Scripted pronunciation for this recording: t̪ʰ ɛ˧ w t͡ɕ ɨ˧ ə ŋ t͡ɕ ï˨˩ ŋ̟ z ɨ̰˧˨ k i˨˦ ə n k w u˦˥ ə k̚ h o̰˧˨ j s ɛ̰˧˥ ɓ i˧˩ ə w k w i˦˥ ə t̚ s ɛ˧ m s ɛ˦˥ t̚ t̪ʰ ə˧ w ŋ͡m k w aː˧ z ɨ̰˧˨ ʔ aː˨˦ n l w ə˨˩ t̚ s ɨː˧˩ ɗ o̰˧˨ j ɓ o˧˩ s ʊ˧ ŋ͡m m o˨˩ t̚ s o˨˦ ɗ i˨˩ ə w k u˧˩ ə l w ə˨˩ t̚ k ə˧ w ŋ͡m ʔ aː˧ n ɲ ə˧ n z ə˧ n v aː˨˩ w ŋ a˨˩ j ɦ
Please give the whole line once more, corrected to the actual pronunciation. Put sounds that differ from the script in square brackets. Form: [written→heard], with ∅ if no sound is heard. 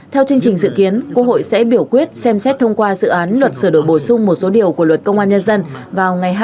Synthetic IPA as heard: t̪ʰ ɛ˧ w t͡ɕ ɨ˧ ə ŋ t͡ɕ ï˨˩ ŋ̟ z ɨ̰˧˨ k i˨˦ ə n k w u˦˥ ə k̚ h o̰˧˨ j s ɛ̰˧˥ ɓ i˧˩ ə w k w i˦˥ ə t̚ s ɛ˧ m s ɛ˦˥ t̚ t̪ʰ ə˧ w ŋ͡m k w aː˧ z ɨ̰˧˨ ʔ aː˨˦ n l w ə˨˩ t̚ s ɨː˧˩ ɗ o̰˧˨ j ɓ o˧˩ s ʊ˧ ŋ͡m m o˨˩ t̚ s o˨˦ ɗ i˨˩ ə w k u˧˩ ə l w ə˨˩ t̚ k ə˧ w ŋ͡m ʔ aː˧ n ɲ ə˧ n z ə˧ n v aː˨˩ w ŋ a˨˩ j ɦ